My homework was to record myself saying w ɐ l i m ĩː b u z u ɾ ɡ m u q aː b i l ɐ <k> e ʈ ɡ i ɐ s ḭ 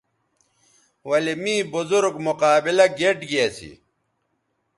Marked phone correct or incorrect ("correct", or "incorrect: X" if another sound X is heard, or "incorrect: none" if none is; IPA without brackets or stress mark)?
incorrect: ɡ